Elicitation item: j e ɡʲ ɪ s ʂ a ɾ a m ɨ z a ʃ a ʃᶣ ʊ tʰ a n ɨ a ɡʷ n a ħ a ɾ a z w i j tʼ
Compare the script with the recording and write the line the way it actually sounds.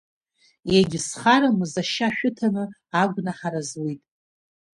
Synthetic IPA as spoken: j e ɡʲ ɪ s χ a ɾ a m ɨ z a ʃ a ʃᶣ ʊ tʰ a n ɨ a ɡʷ n a ħ a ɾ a z w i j tʼ